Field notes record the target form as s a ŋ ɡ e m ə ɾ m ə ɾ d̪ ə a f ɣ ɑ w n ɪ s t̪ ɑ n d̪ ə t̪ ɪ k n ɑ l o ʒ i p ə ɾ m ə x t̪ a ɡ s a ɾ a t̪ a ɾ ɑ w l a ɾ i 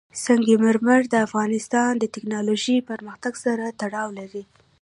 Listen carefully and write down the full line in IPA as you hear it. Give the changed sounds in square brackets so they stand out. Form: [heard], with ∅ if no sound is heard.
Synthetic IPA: s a ŋ ɡ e m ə ɾ m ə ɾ d̪ ə a f ɣ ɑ [∅] n ɪ s t̪ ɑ n d̪ ə t̪ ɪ k n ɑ l o ʒ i p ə ɾ m ə x t̪ a ɡ s a ɾ a t̪ a [ɽ] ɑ w l a ɾ i